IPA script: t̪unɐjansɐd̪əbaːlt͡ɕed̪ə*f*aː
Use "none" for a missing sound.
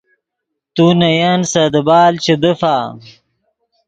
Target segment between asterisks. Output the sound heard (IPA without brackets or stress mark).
f